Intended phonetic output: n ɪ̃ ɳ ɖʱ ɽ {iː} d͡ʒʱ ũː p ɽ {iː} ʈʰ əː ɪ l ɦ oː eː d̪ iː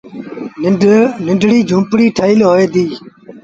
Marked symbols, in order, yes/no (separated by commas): yes, yes